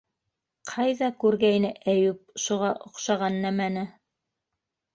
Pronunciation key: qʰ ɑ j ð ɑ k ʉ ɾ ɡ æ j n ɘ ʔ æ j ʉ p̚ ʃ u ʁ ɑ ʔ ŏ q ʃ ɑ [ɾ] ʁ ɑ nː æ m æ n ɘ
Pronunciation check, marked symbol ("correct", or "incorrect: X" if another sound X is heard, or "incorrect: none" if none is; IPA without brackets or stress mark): incorrect: none